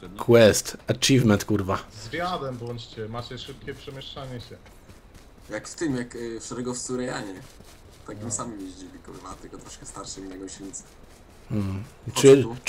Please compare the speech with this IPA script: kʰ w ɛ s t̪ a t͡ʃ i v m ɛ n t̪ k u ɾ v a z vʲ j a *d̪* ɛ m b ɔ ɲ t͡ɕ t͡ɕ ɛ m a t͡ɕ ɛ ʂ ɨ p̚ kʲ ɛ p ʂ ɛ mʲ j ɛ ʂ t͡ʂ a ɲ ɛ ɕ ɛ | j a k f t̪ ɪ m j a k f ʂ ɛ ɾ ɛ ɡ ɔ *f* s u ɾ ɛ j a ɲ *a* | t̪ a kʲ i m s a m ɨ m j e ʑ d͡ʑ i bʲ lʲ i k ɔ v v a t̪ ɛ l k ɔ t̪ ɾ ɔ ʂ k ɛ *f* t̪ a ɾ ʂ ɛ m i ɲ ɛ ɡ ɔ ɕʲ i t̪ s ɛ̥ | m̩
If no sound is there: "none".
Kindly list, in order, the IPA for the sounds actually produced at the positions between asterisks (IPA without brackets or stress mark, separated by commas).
d̪, f, ɛ, s